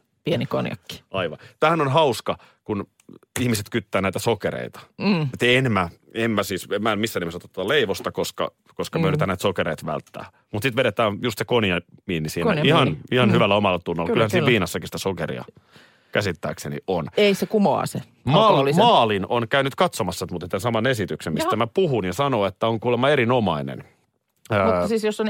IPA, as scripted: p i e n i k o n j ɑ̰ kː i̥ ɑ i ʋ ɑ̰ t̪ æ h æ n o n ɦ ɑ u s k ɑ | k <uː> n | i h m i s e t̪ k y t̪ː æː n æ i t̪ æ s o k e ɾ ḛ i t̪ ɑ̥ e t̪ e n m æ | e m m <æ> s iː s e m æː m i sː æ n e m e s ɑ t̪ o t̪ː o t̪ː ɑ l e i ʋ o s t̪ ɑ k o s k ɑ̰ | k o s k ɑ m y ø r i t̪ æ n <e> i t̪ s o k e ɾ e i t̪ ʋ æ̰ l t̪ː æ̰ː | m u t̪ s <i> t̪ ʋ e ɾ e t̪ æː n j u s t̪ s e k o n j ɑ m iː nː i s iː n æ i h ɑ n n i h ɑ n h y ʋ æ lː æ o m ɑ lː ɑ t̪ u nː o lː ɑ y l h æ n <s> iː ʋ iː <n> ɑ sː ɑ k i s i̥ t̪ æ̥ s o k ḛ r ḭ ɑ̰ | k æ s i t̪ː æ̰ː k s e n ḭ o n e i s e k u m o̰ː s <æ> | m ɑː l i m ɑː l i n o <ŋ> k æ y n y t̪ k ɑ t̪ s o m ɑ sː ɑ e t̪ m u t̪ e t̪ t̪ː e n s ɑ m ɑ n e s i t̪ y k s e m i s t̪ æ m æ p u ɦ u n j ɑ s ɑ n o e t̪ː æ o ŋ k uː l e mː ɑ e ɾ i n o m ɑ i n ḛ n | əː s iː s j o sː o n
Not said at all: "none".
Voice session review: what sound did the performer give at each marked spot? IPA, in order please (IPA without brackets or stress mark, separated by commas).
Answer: u, æ, æ, i, s, n, e, n